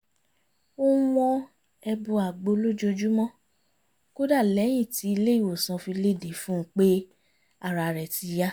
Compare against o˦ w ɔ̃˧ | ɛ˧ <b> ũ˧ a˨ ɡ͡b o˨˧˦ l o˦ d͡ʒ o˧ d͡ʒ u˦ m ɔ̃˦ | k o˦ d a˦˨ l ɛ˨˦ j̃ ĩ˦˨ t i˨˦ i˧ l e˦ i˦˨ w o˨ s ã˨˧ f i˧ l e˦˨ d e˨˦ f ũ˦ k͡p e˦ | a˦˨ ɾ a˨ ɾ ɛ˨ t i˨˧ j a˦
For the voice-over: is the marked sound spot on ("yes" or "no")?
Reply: yes